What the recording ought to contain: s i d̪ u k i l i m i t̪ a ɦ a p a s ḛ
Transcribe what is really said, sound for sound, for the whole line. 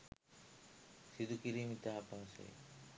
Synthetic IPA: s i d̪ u k i ɾ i m i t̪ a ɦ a p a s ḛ